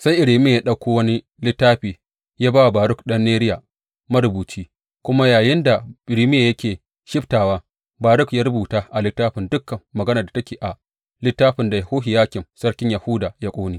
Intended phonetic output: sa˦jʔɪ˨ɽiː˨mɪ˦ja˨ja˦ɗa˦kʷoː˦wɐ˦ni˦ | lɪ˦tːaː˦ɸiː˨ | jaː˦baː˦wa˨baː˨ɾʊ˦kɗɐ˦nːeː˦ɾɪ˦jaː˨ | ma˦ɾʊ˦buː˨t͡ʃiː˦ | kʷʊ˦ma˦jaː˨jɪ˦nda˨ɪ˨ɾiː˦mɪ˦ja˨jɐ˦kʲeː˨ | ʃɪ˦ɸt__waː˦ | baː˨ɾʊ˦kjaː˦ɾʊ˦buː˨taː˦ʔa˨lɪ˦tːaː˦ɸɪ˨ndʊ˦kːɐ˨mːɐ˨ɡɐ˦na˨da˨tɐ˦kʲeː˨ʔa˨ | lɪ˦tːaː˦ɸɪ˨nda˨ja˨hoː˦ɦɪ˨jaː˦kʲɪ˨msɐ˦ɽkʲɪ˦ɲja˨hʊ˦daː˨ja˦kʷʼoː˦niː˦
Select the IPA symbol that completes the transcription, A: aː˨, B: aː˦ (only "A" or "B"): A